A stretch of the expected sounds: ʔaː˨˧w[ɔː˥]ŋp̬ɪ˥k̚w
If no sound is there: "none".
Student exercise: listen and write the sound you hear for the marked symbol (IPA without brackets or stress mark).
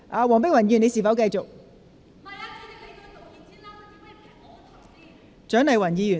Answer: ɔː˨˩